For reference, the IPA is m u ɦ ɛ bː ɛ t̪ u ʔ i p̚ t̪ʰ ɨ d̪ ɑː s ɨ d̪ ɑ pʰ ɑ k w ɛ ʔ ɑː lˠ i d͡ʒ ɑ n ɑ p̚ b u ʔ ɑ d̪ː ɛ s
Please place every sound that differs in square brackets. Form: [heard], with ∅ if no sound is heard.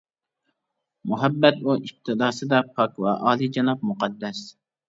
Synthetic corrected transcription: m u ɦ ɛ bː ɛ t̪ u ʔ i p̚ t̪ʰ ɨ d̪ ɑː s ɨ d̪ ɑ pʰ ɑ k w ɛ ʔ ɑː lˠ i d͡ʒ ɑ n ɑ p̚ [m] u [q] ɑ d̪ː ɛ s